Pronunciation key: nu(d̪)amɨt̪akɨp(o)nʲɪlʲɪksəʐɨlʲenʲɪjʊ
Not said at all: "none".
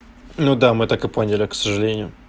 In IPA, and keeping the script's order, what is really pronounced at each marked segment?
d̪, o

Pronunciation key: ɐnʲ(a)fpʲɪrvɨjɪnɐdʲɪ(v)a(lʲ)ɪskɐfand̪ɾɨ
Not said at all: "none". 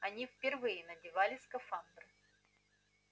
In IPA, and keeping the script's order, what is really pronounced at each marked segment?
i, v, lʲ

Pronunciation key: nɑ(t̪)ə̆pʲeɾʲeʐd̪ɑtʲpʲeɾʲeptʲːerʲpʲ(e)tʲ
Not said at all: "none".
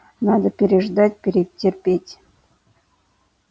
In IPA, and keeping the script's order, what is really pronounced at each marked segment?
d̪, e

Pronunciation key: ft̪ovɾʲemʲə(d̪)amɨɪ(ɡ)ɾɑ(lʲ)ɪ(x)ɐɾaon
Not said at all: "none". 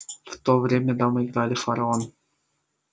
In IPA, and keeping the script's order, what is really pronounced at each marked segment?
d̪, ɡ, lʲ, f

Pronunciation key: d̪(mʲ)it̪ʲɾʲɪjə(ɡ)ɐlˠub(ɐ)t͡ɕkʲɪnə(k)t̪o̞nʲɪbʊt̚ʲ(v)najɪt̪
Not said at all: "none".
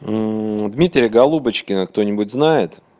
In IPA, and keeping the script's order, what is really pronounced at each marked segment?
mʲ, ɡ, ə, k, z

